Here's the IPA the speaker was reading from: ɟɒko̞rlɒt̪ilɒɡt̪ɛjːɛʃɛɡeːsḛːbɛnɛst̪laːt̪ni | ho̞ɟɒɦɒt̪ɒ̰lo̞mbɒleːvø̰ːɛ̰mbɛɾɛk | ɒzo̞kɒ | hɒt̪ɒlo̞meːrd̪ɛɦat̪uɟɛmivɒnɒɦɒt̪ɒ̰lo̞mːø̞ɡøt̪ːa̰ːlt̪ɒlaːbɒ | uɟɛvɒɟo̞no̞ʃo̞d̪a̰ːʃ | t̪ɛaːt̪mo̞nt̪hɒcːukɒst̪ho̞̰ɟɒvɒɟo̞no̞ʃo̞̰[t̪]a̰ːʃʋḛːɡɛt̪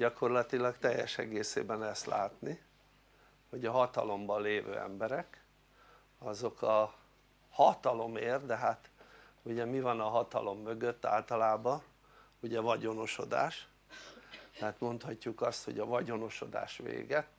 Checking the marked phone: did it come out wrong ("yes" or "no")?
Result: yes